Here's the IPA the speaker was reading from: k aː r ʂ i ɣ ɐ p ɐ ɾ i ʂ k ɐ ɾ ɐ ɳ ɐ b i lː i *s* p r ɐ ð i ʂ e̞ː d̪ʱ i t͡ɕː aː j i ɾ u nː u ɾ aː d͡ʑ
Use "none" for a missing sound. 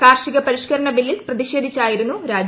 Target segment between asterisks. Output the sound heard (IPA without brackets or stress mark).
s